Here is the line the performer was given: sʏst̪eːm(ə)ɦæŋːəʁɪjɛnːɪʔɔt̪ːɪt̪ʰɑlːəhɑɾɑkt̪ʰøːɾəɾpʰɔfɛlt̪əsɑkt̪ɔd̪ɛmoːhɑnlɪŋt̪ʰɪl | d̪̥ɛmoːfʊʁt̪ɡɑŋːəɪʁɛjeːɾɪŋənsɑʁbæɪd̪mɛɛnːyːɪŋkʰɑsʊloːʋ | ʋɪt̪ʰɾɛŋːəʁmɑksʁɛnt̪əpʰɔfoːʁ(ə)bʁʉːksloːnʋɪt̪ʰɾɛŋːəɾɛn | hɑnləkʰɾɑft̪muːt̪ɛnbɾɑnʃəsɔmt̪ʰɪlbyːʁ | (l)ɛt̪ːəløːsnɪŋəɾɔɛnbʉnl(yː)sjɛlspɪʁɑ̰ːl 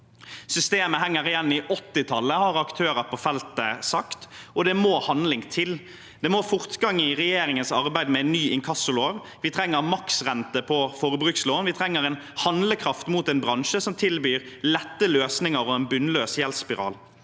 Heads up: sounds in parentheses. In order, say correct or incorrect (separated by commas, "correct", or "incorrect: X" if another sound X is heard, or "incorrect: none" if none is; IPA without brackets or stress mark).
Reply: correct, correct, correct, incorrect: øː